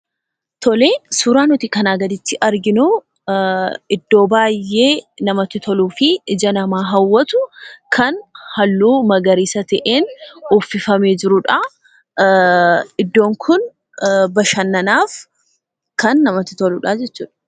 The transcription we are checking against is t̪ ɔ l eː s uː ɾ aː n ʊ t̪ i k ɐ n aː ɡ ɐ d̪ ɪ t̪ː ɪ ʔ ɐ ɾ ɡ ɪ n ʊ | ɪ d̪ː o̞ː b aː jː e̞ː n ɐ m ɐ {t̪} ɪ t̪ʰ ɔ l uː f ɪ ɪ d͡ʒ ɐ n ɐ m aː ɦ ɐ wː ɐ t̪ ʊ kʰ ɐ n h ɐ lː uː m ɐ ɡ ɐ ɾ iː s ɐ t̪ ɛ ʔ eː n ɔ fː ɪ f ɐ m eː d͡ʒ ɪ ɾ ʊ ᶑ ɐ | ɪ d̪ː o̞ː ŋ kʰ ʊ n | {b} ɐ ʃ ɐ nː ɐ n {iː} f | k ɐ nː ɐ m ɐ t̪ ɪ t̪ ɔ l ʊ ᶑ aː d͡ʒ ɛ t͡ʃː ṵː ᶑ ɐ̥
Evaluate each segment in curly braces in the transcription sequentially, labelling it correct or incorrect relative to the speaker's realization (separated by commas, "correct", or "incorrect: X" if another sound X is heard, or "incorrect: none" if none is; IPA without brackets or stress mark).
correct, correct, incorrect: aː